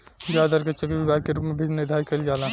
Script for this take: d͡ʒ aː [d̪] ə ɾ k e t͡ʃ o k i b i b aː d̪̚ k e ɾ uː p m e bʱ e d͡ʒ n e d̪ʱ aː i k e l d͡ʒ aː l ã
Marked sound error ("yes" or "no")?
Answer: no